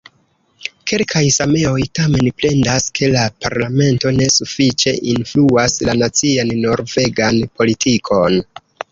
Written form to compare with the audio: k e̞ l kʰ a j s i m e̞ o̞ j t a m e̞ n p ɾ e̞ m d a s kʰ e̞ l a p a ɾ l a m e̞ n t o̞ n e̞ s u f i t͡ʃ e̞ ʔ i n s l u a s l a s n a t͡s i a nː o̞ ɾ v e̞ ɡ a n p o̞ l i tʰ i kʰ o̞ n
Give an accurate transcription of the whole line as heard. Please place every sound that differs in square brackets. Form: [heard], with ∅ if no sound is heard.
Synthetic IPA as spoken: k e̞ l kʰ a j s [a] m e̞ o̞ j t a m e̞ n p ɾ e̞ [n] d a s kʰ e̞ l a p a ɾ l a m e̞ n t o̞ n e̞ s u f i t͡ʃ e̞ ʔ i n [f] l u a s l a [∅] n a t͡s i a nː o̞ ɾ v e̞ ɡ a n p o̞ l i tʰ i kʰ o̞ n